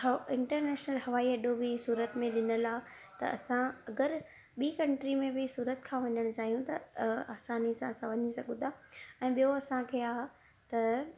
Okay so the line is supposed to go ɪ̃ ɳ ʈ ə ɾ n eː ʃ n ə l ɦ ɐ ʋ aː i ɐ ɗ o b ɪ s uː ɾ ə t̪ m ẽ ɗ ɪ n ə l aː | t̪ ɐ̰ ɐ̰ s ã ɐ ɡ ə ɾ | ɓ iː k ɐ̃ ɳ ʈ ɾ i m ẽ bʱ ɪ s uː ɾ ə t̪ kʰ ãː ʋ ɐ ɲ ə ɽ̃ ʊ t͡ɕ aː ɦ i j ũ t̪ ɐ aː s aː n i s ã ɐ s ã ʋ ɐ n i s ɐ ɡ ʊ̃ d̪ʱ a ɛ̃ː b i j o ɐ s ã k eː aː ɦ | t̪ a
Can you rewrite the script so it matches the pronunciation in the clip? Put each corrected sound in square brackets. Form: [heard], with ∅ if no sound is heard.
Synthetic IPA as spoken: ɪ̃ ɳ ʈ ə ɾ n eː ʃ n ə l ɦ ɐ ʋ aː i ɐ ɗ o b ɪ s uː ɾ ə t̪ m ẽ ɗ ɪ n ə l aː | t̪ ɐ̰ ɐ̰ s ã ɐ ɡ ə ɾ | ɓ iː k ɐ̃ ɳ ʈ ɾ i m ẽ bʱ ɪ s uː ɾ ə t̪ kʰ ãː ʋ ɐ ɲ ə ɽ̃ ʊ t͡ɕ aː ɦ i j ũ t̪ ɐ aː s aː n i s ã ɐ s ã ʋ ɐ [ɲ] i s ɐ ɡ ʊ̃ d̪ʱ a ɛ̃ː [ɓ] i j o ɐ s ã [kʰ] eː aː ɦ | t̪ [ɐ]